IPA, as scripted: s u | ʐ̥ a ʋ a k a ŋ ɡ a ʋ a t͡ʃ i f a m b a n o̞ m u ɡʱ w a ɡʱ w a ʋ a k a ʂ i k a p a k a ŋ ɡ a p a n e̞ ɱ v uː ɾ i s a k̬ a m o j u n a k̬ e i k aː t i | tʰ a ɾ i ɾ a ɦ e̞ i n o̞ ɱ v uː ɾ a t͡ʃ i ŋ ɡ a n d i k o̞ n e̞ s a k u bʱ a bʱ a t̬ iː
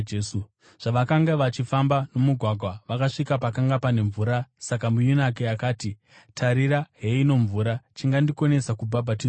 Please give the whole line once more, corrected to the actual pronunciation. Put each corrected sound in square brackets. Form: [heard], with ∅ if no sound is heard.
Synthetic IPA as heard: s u | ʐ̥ a ʋ a k a ŋ ɡ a ʋ a t͡ʃ i f a m b a n o̞ m u ɡʱ w a ɡʱ w a ʋ a k a ʂ i k a p a k a ŋ ɡ a p a n e̞ ɱ v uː ɾ [a] s a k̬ a m [u] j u n a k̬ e [a] k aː t i | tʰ a ɾ i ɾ a ɦ e̞ i n o̞ ɱ v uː ɾ a t͡ʃ i ŋ ɡ a n d i k o̞ n e̞ s a k u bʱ a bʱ a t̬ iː